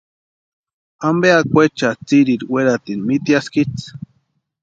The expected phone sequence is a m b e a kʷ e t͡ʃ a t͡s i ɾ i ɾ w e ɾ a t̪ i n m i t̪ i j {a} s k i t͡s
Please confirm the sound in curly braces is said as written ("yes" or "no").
yes